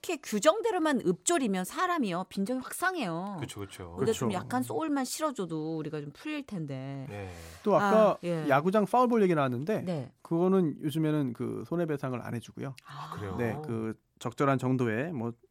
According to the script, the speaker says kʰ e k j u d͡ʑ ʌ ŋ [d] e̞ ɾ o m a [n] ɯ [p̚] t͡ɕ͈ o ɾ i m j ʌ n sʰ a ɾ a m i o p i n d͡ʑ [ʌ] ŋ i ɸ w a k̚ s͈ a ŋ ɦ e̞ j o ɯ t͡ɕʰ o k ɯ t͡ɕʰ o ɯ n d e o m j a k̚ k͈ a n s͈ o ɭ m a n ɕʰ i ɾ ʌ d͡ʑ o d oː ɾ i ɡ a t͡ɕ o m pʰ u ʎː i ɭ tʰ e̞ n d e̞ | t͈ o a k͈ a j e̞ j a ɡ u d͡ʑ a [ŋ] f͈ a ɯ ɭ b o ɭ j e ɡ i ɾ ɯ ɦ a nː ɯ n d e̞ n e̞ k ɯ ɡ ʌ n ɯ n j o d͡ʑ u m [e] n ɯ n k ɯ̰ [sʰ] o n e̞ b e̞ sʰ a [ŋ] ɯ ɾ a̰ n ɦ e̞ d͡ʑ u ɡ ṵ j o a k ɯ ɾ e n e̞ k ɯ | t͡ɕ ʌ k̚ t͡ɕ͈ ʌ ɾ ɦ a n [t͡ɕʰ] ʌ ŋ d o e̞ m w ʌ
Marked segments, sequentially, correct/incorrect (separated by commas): correct, correct, correct, correct, correct, correct, correct, correct, incorrect